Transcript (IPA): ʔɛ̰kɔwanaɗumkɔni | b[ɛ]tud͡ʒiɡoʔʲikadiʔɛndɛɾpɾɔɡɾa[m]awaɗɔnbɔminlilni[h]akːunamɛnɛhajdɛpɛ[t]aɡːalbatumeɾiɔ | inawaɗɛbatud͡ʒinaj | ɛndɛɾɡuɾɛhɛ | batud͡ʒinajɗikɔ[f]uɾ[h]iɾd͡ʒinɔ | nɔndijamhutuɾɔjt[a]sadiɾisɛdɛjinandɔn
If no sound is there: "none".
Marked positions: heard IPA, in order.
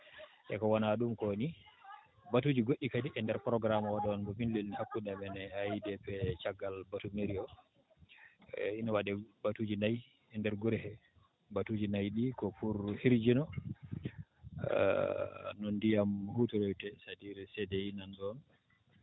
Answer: a, m, h, t͡ʃ, f, h, ɛ

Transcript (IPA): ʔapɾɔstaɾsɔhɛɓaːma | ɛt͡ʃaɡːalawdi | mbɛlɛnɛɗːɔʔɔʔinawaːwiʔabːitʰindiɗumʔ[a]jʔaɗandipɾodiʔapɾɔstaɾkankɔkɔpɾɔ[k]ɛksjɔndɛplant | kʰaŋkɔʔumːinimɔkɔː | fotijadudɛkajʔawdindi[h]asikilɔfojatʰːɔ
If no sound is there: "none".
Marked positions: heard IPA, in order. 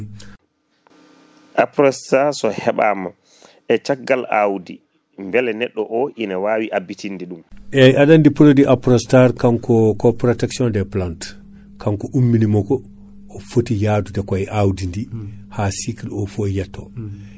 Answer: ɛ, t, h

